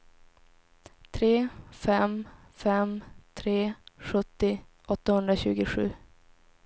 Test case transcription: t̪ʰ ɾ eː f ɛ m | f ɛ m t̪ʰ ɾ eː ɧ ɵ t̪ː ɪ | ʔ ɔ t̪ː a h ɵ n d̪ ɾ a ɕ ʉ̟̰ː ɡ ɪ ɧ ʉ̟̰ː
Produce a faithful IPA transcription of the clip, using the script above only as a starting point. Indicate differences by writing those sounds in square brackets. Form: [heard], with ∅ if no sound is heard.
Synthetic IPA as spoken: t̪ʰ ɾ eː f ɛ m | f ɛ m t̪ʰ ɾ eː ɧ ɵ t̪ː ɪ | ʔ ɔ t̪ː a h ɵ n d̪ ɾ a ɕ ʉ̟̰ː ɡ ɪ ɧ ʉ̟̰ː

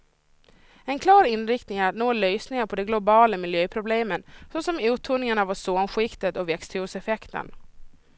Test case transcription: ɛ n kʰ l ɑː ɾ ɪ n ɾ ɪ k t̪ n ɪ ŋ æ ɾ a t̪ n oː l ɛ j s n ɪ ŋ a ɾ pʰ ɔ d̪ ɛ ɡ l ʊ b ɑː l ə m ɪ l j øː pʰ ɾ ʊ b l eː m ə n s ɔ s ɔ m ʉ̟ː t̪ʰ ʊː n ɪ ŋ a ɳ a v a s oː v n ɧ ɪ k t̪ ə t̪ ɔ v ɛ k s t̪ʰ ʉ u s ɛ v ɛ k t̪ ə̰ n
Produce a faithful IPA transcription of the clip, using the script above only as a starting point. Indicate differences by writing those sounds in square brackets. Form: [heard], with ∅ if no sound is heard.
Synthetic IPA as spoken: ɛ n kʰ l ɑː ɾ ɪ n ɾ ɪ k t̪ n ɪ ŋ æ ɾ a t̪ n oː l [œ] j s n ɪ ŋ a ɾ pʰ ɔ d̪ ɛ ɡ l ʊ b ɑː l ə m ɪ l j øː pʰ ɾ ʊ b l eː m ə n s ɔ s ɔ m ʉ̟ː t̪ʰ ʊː n ɪ ŋ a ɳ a v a s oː [∅] n ɧ ɪ k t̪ ə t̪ ɔ v ɛ k s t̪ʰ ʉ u s ɛ [f] ɛ k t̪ ə̰ n

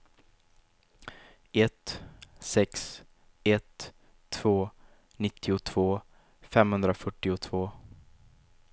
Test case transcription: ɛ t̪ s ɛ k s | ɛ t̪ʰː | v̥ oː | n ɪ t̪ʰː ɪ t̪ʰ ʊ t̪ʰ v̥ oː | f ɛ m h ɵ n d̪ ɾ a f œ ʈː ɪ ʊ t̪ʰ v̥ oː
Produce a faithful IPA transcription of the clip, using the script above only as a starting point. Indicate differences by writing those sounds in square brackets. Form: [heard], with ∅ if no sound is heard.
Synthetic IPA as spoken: ɛ t̪ s ɛ k s | ɛ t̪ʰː | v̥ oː | n ɪ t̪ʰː ɪ [∅] ʊ t̪ʰ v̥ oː | f ɛ m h ɵ n d̪ ɾ a f œ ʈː ɪ ʊ t̪ʰ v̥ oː

